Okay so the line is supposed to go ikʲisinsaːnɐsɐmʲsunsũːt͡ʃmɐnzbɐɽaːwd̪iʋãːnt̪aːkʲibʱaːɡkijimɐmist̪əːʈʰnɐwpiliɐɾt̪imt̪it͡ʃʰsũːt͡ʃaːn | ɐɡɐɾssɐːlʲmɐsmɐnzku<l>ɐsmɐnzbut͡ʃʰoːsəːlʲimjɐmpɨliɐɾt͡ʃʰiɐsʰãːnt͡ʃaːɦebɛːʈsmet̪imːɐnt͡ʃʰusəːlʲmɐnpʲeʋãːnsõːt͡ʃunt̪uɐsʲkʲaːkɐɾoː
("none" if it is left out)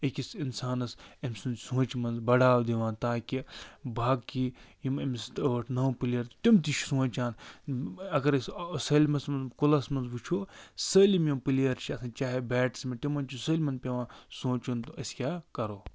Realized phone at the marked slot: l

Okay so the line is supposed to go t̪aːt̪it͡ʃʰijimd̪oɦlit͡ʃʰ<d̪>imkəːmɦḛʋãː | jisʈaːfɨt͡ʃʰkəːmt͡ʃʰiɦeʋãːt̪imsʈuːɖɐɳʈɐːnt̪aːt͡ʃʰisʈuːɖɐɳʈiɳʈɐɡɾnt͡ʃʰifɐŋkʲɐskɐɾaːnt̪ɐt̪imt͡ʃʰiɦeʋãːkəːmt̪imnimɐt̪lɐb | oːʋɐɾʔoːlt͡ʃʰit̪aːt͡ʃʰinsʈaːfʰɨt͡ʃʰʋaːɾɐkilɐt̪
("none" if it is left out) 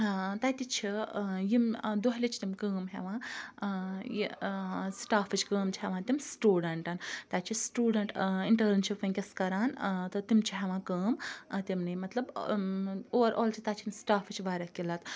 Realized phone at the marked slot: t̪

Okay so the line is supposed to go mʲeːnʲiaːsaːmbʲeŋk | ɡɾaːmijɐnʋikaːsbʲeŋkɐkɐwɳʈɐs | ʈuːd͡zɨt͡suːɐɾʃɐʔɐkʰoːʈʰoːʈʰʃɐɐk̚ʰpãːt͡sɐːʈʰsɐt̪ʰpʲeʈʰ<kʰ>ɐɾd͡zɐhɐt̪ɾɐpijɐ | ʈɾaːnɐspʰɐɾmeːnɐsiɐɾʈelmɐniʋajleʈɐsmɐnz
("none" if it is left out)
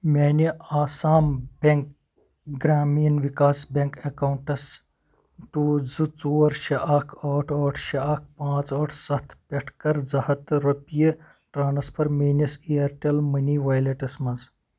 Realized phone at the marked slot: k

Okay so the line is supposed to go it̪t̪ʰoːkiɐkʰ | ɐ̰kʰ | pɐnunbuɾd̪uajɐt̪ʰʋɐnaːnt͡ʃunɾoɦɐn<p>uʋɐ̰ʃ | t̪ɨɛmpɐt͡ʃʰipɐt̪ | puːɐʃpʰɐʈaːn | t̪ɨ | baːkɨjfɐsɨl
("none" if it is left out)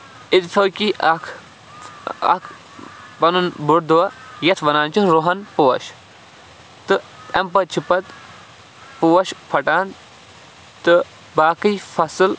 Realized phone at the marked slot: p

